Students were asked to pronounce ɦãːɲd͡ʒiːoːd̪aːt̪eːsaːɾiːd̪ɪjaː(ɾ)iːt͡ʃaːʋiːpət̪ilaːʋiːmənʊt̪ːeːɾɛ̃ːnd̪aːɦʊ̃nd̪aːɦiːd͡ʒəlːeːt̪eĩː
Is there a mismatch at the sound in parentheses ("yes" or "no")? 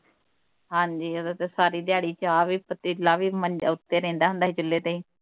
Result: yes